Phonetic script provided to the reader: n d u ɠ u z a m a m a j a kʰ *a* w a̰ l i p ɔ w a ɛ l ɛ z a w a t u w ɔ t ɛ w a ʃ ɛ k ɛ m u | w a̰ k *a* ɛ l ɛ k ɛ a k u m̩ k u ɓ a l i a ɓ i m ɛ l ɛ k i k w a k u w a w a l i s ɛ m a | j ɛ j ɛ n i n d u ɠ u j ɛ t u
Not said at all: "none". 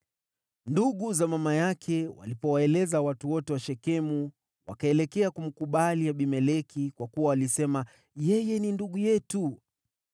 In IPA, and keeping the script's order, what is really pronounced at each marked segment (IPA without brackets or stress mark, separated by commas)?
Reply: ɛ, a